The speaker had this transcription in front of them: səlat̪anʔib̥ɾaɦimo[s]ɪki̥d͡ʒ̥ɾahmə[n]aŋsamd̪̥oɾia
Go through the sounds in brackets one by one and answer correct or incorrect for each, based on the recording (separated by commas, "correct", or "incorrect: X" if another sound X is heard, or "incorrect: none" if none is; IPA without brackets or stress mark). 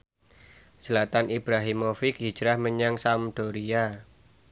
incorrect: f, incorrect: ɲ